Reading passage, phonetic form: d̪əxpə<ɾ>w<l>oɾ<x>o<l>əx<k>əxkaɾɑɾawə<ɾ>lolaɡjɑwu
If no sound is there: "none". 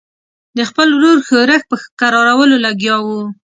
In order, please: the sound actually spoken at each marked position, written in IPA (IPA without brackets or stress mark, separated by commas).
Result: l, ɾ, x, ɾ, p, none